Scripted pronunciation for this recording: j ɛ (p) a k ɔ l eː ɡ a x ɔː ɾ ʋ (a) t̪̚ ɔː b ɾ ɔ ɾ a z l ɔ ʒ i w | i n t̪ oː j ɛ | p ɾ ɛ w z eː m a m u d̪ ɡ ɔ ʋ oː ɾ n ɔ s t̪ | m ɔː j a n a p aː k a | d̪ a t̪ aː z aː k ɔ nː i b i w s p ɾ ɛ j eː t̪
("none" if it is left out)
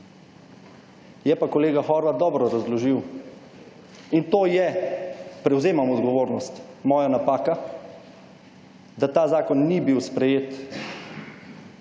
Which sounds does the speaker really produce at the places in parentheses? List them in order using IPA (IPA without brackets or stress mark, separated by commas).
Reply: p, a